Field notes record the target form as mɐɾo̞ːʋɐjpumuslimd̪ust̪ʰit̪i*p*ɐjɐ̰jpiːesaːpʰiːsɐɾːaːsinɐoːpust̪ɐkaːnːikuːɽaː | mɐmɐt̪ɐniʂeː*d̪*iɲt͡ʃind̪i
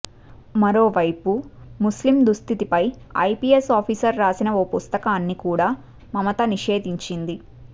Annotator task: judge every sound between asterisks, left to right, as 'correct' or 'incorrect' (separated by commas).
correct, correct